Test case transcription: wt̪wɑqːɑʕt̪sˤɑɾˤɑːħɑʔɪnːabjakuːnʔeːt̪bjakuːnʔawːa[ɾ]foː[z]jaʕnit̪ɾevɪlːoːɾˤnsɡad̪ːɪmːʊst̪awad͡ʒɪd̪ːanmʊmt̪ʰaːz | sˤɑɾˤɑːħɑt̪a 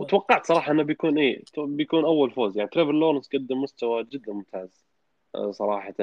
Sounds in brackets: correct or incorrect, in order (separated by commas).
incorrect, correct